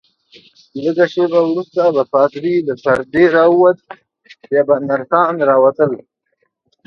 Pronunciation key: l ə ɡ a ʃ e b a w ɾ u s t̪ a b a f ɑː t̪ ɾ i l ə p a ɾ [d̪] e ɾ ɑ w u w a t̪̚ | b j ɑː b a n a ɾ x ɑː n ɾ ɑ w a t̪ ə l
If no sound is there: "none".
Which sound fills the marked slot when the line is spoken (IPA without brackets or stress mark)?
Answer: d̪